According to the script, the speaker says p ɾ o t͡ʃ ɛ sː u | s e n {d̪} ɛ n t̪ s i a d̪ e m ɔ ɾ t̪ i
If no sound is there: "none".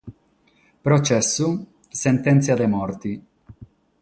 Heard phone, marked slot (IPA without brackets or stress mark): t̪